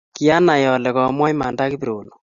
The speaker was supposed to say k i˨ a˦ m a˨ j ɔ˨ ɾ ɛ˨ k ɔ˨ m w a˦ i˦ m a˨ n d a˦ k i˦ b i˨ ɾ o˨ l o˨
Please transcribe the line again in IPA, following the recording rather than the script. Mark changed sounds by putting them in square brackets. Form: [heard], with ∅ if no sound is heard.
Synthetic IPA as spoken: k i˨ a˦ [n] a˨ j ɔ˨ [l] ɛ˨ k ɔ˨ m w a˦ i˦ m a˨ n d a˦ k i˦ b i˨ ɾ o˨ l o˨